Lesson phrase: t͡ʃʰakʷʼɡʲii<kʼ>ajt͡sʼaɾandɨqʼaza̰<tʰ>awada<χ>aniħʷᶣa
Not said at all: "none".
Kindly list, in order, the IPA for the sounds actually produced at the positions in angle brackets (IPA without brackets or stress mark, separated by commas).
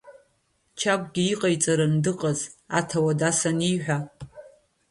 qʼ, tʰ, s